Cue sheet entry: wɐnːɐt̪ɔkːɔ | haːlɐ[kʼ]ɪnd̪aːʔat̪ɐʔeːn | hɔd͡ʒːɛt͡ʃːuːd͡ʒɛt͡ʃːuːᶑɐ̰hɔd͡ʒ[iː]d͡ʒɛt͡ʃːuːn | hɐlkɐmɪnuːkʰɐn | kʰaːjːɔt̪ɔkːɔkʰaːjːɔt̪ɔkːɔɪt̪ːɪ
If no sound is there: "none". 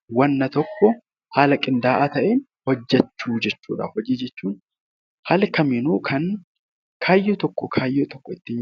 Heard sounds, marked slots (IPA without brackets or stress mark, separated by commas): kʼ, iː